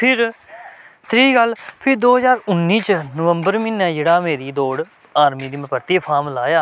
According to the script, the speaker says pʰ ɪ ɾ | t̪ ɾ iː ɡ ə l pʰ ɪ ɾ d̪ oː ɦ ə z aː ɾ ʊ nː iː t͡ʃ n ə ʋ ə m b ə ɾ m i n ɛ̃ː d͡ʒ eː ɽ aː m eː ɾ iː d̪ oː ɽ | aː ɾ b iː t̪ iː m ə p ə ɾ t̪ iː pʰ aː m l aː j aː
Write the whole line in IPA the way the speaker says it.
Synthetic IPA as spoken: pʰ ɪ ɾ | t̪ ɾ iː ɡ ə l pʰ ɪ ɾ d̪ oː ɦ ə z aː ɾ ʊ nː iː t͡ʃ n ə ʋ ə m b ə ɾ m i n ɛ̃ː d͡ʒ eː ɽ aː m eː ɾ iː d̪ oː ɽ | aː ɾ m iː d̪ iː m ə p ə ɾ t̪ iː pʰ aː m l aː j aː